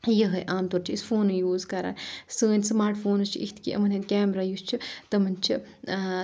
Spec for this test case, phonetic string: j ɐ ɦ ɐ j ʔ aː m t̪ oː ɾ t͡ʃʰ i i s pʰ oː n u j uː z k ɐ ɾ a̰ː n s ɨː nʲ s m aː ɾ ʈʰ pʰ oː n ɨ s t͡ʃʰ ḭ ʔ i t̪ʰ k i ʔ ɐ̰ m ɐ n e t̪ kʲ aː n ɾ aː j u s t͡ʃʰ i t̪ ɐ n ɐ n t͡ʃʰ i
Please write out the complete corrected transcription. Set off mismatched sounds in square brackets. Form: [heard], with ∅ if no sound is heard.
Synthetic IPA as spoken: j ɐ ɦ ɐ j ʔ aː m t̪ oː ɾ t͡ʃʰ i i s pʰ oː n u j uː z k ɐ ɾ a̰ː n s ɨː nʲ s m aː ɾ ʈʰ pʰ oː n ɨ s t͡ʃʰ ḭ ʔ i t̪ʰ k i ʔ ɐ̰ m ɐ n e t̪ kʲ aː [m] ɾ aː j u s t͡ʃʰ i t̪ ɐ [m] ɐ n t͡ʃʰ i